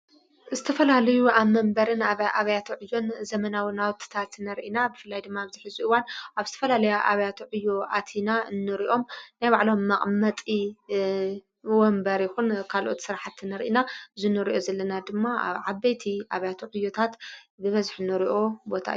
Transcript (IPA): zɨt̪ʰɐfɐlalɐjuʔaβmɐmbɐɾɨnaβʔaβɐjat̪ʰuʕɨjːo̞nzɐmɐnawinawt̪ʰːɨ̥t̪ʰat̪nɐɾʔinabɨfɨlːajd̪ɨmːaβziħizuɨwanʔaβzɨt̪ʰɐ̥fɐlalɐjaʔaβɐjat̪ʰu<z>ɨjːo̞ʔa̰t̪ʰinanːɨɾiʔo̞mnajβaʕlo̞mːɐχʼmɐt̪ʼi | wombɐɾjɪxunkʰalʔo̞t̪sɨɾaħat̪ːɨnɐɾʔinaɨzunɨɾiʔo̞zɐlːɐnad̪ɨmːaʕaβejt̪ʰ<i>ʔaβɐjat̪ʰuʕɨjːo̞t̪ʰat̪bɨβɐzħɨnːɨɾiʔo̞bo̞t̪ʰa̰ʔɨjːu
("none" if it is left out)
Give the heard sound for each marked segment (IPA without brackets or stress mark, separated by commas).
ʕ, i